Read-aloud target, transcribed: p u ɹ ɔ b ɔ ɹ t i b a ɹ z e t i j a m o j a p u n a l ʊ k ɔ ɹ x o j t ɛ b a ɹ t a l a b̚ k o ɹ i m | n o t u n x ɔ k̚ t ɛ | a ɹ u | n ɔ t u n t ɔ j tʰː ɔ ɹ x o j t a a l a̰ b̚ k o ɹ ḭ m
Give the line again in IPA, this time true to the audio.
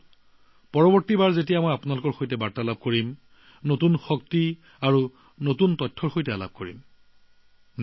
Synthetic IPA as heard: p ɔ ɹ ɔ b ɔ ɹ t i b a ɹ z e t i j a m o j a p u n a l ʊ k ɔ ɹ x o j t ɛ b a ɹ t a l a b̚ k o ɹ i m | n o t u n x ɔ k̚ t i | a ɹ u | n o t u n t ɔ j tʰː ɔ ɹ x o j t ɛ a l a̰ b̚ k o ɹ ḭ m